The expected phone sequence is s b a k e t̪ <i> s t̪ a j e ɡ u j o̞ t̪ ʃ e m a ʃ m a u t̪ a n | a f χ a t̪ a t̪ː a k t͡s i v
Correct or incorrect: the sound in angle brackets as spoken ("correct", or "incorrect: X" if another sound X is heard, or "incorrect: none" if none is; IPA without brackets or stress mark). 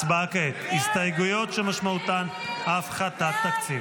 correct